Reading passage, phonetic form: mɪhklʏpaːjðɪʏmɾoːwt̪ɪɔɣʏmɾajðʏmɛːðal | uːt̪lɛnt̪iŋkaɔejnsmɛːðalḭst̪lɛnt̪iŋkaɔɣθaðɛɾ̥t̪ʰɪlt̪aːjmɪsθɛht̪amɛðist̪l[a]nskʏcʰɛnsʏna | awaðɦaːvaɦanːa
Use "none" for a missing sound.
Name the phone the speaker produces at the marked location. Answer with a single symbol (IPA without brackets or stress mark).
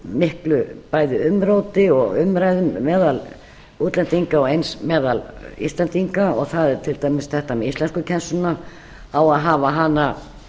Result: ɛ